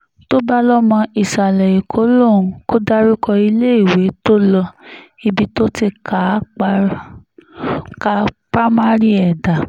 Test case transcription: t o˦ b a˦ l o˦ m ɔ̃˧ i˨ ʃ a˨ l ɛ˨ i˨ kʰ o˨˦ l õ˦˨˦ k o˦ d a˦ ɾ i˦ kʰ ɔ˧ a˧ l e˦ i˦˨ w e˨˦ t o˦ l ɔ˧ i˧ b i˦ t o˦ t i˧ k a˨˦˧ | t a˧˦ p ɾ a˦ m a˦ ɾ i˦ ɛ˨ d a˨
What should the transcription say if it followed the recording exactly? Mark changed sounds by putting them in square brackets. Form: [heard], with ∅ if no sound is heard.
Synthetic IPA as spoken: t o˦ b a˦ l [ɔ˦] m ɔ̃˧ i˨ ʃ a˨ l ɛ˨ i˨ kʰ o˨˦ l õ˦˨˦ k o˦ d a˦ ɾ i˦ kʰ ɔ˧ [i˧] l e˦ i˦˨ w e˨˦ t o˦ l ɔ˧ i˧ b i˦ t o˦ t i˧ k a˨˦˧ | [k] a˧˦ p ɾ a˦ m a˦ ɾ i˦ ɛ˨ d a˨